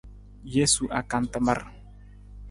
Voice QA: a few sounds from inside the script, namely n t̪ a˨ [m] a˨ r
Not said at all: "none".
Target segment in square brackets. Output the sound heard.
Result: m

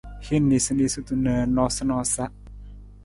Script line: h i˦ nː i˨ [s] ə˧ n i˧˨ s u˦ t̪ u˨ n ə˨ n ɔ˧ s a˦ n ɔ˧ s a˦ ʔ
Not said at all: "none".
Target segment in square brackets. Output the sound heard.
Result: s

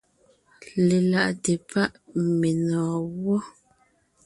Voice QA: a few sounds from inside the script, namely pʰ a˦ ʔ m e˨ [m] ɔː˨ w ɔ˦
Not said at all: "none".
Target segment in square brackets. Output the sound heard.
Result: n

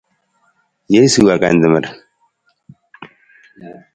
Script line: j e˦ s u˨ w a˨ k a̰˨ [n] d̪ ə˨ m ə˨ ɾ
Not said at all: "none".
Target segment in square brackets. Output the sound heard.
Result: n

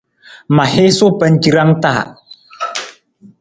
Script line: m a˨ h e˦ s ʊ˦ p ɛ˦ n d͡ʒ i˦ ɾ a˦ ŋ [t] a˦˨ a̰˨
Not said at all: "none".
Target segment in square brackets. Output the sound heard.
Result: t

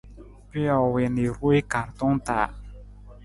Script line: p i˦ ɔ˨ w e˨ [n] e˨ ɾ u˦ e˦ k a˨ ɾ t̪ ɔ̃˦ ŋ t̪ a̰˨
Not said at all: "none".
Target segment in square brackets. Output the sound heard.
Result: n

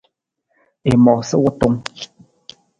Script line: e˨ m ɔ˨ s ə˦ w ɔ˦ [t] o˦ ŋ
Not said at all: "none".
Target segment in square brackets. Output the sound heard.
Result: t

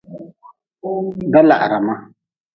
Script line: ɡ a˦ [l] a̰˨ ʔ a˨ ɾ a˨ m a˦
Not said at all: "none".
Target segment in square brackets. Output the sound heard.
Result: l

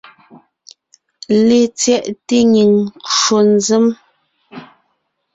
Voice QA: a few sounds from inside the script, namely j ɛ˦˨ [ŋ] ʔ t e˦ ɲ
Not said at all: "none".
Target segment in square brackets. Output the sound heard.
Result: none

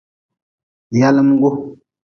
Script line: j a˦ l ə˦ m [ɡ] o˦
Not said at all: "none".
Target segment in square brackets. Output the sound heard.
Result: ɡ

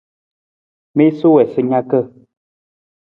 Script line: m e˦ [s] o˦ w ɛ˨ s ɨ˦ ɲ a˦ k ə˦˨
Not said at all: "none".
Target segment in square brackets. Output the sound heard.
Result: s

